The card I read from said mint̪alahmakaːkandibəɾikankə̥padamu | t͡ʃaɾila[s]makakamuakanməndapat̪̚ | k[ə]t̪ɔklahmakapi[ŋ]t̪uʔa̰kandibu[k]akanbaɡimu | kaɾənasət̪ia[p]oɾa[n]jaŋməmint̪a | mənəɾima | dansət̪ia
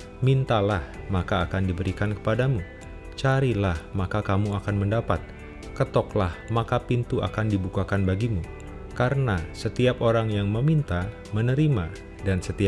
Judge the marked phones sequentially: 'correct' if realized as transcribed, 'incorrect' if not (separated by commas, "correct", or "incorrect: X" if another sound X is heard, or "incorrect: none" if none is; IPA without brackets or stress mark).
incorrect: h, correct, incorrect: n, correct, correct, incorrect: ŋ